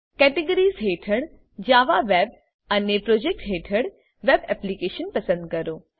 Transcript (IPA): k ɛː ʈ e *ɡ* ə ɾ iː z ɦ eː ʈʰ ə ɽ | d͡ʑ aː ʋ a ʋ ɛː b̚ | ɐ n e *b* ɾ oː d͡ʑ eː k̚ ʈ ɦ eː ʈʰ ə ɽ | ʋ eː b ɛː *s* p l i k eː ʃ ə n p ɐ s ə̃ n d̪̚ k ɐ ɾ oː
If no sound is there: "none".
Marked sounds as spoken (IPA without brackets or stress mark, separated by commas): ɡ, p, none